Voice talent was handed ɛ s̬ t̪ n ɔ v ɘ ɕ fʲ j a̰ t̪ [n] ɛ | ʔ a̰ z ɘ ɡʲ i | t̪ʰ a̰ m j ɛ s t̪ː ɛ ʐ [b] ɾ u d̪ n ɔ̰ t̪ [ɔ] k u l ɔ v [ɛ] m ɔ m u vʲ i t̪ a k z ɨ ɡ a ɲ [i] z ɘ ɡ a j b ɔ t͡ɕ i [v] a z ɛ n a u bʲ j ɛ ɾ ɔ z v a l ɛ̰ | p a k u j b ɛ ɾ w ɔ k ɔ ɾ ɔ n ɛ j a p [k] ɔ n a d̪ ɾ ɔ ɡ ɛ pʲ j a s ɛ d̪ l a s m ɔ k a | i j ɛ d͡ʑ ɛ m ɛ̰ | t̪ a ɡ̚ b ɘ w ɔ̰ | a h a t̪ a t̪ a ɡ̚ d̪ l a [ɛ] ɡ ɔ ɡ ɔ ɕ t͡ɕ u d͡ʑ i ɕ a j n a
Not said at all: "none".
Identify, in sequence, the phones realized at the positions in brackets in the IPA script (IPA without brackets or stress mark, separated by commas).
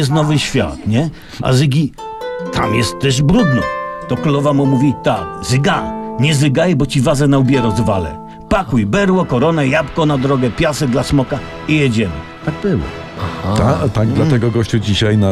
ɲ, b, ɔ, a, ɛ, v, k, ɛ